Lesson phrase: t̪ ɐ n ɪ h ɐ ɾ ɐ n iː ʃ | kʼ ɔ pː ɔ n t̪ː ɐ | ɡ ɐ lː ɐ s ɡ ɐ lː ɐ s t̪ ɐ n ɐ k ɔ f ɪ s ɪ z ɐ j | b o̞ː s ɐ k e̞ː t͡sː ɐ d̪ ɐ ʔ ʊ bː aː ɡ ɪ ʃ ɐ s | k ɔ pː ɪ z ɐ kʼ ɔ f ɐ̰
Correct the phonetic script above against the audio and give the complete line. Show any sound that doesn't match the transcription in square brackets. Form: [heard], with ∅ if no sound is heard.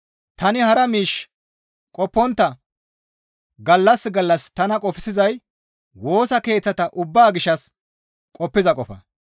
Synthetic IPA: t̪ ɐ n ɪ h ɐ ɾ ɐ [m] iː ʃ | kʼ ɔ pː ɔ n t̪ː ɐ | ɡ ɐ lː ɐ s ɡ ɐ lː ɐ s t̪ ɐ n ɐ [kʼ] ɔ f ɪ s ɪ z ɐ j | [w] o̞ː s ɐ k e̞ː t͡sː ɐ [t̪] ɐ ʔ ʊ bː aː ɡ ɪ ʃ ɐ s | [kʼ] ɔ pː ɪ z ɐ kʼ ɔ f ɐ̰

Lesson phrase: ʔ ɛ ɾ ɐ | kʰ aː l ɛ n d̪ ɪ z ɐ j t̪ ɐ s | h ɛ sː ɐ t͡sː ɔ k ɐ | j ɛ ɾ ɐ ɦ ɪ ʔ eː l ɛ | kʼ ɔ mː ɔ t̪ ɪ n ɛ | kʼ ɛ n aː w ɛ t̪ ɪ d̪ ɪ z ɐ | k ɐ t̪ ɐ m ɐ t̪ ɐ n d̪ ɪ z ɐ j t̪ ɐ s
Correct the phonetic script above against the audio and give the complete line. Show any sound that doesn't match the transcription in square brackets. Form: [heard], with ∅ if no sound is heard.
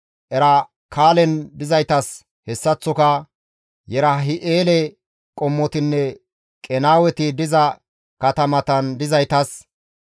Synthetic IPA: ʔ ɛ ɾ ɐ | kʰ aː l ɛ n d̪ ɪ z ɐ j t̪ ɐ s | h ɛ sː ɐ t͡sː ɔ k ɐ | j ɛ ɾ ɐ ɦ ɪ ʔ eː l ɛ | kʼ ɔ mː ɔ t̪ ɪ [nː] ɛ | kʼ ɛ n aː w ɛ t̪ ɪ d̪ ɪ z ɐ | k ɐ t̪ ɐ m ɐ t̪ ɐ n d̪ ɪ z ɐ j t̪ ɐ s

